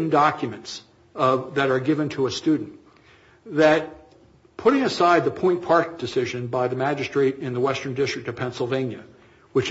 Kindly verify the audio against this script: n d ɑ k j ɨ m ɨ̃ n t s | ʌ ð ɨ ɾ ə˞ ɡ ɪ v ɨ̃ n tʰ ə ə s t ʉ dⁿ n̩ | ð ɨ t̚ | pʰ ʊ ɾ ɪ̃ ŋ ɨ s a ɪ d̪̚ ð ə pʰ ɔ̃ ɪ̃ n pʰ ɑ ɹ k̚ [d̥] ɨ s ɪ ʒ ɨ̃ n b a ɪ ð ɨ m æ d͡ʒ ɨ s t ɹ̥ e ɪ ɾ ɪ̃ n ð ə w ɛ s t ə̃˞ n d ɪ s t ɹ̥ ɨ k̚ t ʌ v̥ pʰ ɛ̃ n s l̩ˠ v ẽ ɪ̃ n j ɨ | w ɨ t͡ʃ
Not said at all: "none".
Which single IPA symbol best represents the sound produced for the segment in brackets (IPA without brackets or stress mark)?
d̥